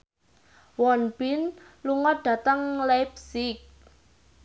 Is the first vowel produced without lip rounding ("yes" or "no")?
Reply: no